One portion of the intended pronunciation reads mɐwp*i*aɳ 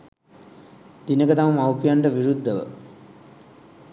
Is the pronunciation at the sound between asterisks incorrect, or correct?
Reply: incorrect